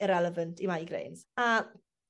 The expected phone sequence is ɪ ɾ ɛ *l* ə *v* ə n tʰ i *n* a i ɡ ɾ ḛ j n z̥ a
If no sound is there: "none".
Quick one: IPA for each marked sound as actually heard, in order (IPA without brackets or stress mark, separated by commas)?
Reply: l, v, m